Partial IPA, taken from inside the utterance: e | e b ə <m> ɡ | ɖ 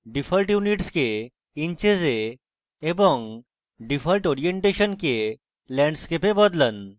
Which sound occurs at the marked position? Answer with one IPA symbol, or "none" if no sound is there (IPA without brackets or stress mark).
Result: ŋ